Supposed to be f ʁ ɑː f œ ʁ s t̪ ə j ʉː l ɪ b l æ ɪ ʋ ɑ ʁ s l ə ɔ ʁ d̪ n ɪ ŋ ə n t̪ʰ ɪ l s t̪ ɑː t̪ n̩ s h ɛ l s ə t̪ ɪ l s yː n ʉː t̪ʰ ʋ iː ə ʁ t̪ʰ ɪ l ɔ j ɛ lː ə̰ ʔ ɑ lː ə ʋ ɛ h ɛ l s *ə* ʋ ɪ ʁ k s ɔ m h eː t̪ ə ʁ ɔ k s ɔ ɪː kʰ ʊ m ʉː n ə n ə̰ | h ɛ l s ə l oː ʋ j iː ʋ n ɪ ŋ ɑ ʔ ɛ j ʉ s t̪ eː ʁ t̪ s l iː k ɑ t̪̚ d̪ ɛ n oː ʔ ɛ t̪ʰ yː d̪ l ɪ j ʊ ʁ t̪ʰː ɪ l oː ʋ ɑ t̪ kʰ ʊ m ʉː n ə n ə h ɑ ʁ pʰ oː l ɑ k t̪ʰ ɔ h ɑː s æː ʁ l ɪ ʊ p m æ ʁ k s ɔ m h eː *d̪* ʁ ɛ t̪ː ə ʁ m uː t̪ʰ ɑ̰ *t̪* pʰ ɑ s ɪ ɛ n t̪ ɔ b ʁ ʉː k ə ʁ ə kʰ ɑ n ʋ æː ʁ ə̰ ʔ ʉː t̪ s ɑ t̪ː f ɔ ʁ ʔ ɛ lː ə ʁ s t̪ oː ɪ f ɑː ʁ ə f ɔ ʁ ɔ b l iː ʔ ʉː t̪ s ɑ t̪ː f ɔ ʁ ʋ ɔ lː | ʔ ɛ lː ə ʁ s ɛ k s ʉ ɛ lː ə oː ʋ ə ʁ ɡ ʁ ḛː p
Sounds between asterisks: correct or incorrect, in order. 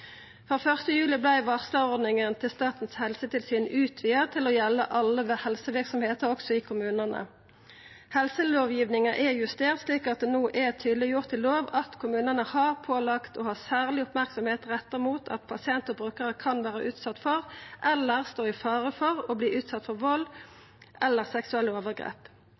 correct, incorrect: t̪, correct

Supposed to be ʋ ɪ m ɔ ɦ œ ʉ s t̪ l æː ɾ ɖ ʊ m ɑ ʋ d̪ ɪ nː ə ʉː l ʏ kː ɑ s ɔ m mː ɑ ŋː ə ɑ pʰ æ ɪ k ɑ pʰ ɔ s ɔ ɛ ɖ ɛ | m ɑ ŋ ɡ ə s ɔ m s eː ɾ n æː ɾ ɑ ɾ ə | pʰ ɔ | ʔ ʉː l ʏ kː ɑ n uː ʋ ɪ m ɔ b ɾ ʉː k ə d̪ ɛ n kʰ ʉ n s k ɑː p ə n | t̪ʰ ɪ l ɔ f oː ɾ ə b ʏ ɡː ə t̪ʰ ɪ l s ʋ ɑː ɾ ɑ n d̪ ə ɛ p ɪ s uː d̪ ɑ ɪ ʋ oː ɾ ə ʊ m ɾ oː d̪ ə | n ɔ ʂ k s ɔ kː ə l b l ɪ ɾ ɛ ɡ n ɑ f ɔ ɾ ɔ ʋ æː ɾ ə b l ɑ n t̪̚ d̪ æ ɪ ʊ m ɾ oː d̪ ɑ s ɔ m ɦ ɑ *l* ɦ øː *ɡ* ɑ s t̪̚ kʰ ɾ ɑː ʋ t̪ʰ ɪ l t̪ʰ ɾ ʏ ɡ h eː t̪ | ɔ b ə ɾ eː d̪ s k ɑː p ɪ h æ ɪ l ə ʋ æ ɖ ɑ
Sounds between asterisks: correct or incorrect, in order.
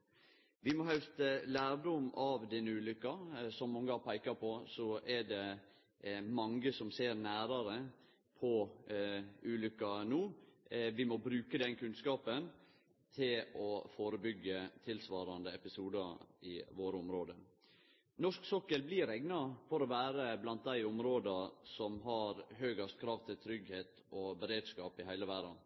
incorrect: ɾ, correct

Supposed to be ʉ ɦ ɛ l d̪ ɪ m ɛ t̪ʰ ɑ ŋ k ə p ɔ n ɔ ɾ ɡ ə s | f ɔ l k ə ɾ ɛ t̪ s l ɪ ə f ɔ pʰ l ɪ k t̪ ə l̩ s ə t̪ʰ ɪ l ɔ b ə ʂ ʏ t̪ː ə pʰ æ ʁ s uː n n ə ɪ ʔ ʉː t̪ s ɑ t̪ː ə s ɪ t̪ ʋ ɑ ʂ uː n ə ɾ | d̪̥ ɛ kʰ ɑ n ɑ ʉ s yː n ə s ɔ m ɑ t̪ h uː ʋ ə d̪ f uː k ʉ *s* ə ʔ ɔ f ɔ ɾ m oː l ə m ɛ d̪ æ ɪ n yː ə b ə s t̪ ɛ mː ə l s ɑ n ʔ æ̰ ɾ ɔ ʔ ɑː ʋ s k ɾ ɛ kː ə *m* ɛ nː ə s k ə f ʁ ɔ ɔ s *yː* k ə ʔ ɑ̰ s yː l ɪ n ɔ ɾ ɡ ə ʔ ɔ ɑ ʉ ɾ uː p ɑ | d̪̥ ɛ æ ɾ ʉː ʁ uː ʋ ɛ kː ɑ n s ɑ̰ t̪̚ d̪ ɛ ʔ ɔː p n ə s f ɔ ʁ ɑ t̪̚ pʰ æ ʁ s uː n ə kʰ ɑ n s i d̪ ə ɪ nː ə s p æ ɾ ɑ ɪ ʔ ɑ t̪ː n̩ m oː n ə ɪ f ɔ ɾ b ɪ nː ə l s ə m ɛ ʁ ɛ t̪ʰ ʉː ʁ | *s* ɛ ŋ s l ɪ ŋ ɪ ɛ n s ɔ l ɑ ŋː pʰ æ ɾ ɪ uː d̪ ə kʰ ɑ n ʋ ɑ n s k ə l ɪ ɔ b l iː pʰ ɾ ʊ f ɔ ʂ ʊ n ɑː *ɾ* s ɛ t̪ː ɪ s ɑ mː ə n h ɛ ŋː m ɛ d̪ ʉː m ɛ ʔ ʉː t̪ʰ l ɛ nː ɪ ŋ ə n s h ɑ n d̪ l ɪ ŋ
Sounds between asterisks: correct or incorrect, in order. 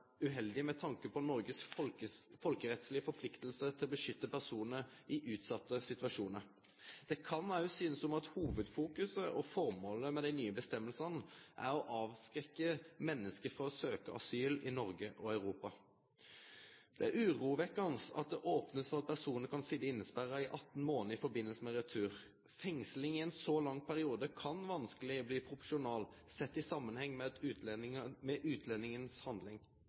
correct, correct, incorrect: øː, incorrect: f, incorrect: l

